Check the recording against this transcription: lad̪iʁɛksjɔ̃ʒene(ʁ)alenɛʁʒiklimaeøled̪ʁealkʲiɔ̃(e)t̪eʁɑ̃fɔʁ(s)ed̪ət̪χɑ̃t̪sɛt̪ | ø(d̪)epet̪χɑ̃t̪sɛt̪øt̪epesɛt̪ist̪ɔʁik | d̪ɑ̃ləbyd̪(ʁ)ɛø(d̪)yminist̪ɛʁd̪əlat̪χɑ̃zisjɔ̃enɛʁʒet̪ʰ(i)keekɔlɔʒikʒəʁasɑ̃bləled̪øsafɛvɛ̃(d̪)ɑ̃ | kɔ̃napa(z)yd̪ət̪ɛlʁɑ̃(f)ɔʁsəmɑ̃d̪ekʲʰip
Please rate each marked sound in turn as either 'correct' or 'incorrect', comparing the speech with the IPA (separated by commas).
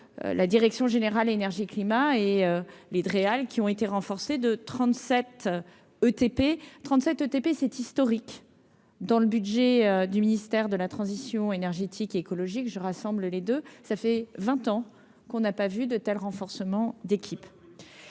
correct, correct, correct, incorrect, incorrect, correct, correct, incorrect, incorrect, correct